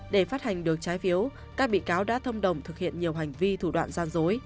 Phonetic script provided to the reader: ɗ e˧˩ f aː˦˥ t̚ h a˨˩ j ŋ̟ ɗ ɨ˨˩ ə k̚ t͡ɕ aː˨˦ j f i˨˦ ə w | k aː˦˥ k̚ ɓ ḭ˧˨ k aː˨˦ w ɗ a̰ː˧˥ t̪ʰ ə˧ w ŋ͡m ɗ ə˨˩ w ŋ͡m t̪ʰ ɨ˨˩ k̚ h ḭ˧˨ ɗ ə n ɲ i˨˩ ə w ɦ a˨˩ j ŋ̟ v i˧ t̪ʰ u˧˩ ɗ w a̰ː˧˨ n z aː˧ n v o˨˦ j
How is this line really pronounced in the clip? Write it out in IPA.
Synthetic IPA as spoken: ɗ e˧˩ f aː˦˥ t̚ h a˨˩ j ŋ̟ ɗ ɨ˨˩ ə k̚ t͡ɕ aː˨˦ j f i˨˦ ə w | k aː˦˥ k̚ ɓ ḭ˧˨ k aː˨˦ w ɗ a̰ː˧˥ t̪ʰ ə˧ w ŋ͡m ɗ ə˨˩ w ŋ͡m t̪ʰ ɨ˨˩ k̚ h ḭ˧˨ ə n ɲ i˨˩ ə w ɦ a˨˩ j ŋ̟ v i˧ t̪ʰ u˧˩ ɗ w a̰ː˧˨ n z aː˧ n z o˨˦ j

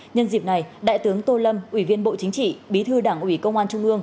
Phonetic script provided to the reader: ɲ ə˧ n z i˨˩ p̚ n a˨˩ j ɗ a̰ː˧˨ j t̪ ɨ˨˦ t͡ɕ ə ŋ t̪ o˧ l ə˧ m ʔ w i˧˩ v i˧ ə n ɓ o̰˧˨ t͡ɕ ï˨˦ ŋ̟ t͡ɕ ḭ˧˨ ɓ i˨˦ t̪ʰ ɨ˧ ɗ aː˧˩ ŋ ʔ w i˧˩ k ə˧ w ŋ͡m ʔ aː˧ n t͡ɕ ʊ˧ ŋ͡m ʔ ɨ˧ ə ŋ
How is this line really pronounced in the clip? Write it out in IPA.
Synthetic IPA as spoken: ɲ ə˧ n z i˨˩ p̚ n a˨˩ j ɗ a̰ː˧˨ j t̪ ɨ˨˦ ə ŋ t̪ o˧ l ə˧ m ʔ w i˧˩ v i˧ ə n ɓ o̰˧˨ t͡ɕ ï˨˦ ŋ̟ t͡ɕ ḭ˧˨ ɓ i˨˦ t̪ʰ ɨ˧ ɗ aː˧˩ ŋ ʔ w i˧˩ k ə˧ w ŋ͡m ʔ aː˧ n t͡ɕ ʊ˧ ŋ͡m ʔ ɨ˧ ə ŋ

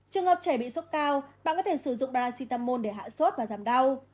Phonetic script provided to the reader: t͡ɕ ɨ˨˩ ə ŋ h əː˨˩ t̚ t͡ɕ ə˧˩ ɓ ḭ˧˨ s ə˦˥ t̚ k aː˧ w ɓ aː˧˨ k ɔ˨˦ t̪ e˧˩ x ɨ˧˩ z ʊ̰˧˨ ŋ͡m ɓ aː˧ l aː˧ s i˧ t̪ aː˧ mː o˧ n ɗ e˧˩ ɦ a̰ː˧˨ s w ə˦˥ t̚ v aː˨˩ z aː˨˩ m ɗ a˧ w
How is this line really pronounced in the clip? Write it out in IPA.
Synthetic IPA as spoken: t͡ɕ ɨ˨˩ ə ŋ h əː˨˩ p̚ t͡ɕ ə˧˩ ɓ ḭ˧˨ s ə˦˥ t̚ k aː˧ w ɓ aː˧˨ k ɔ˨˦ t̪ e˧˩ s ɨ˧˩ z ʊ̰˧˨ ŋ͡m ɓ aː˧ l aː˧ s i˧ t̪ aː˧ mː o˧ n ɗ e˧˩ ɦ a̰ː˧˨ s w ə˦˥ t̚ v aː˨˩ z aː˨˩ m ɗ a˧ w

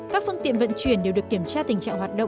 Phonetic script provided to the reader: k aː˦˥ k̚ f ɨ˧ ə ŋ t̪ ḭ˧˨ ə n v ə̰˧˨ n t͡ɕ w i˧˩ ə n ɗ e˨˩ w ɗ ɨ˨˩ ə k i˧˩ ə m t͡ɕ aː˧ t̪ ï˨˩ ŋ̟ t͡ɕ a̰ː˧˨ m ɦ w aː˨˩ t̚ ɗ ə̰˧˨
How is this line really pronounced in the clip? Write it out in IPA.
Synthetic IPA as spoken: k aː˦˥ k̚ f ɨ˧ ə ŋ t̪ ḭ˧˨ ə n v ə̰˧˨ n t͡ɕ w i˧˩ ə n ɗ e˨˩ w ɗ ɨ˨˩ ə k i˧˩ ə m t͡ɕ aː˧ t̪ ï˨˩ ŋ̟ t͡ɕ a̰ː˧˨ ŋ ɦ w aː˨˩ t̚ ɗ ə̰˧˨

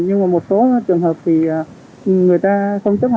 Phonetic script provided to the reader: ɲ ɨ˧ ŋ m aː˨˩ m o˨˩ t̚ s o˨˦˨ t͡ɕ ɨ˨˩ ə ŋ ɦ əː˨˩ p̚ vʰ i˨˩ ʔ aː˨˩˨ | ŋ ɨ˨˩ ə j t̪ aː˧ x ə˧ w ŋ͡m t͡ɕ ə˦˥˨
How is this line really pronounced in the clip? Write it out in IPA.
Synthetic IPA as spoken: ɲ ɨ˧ ŋ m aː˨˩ m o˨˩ t̚ s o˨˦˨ t͡ɕ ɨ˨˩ ə ŋ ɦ əː˨˩ p̚ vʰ i˨˩ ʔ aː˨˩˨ | ŋ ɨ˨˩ ə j t̪ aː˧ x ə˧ w ŋ͡m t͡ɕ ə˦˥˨

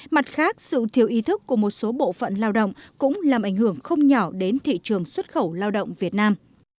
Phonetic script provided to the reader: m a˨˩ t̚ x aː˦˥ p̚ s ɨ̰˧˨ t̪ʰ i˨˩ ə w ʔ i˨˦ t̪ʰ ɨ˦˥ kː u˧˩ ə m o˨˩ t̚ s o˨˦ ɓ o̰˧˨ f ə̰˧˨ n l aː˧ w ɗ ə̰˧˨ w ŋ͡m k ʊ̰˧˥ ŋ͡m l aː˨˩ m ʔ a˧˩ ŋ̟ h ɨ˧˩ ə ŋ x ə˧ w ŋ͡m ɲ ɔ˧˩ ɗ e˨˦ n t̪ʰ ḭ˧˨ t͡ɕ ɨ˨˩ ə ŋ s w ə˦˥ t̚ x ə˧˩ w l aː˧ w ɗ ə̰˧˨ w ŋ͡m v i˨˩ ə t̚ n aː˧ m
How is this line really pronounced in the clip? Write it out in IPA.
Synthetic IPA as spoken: m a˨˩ t̚ x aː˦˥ k̚ s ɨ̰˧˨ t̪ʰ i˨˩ ə w ʔ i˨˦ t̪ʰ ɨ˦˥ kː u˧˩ ə m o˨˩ t̚ s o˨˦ ɓ o̰˧˨ f ə̰˧˨ n l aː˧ w ɗ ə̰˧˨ w ŋ͡m k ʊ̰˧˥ ŋ͡m l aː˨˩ m ʔ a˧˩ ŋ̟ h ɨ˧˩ ə ŋ x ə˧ w ŋ͡m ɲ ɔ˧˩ ɗ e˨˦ n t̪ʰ ḭ˧˨ t͡ɕ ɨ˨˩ ə ŋ s w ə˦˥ t̚ x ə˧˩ w l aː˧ w ɗ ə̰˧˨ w ŋ͡m v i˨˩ ə t̚ n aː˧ m

